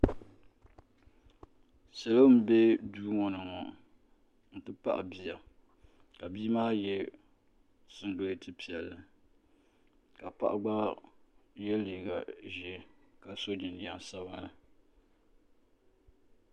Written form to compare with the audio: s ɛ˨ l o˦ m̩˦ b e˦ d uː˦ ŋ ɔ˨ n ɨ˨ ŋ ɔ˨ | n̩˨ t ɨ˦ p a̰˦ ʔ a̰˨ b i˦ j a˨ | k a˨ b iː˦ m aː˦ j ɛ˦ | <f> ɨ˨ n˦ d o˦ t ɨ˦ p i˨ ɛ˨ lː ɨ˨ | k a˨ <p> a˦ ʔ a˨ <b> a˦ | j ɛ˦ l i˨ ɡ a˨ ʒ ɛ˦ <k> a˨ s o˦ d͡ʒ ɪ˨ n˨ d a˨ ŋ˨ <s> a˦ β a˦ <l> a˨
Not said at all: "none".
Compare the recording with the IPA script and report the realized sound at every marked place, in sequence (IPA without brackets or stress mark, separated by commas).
s, p, ɡ͡b, k, s, l